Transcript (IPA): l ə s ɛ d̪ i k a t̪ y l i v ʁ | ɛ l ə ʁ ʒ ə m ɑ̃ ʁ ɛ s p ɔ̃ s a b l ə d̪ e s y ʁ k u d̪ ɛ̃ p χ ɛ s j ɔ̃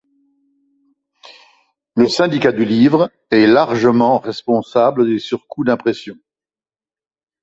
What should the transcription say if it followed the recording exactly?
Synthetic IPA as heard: l ə s ɛ̃ d̪ i k a d̪ y l i v ʁ | ɛ l a ʁ ʒ ə m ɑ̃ ʁ ɛ s p ɔ̃ s a b l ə d̪ e s y ʁ k u d̪ ɛ̃ p χ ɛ s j ɔ̃